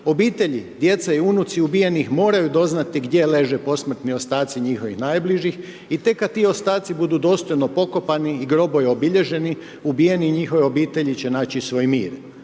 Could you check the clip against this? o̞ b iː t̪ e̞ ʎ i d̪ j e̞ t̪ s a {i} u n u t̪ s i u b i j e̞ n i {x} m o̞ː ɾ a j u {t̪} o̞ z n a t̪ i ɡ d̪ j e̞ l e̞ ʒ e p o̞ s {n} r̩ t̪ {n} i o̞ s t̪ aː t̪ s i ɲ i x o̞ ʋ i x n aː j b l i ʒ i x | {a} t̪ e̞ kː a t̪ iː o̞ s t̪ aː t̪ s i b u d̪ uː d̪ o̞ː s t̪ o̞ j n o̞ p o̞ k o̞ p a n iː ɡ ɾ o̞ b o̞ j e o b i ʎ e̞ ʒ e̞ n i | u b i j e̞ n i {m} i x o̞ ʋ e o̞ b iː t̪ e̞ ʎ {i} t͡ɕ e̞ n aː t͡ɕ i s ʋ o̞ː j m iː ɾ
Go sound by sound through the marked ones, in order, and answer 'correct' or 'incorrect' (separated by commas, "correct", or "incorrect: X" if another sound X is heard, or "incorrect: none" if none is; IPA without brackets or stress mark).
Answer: correct, correct, incorrect: d̪, incorrect: m, correct, incorrect: i, incorrect: ɲ, correct